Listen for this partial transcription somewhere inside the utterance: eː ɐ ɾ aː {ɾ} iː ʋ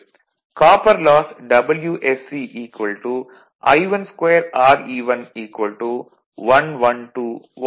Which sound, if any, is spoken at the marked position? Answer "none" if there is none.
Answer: ɾ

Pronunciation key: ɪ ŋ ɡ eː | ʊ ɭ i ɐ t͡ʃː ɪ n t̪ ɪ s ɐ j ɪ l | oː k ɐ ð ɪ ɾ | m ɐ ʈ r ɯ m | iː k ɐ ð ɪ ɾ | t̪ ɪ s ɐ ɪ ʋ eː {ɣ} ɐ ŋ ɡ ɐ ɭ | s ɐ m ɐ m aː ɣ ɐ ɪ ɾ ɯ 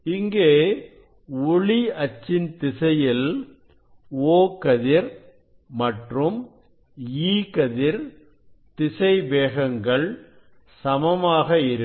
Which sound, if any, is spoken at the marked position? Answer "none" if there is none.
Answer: ɣ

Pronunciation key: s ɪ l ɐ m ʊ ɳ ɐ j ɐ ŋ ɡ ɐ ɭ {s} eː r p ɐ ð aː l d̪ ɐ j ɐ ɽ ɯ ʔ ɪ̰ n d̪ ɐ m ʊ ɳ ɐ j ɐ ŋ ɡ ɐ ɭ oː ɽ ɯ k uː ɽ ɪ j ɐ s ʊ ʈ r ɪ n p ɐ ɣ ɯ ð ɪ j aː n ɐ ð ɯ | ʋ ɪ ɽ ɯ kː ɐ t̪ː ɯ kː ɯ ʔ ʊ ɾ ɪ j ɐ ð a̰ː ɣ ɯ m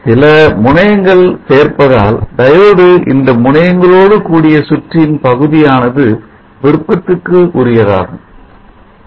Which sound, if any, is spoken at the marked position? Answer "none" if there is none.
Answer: s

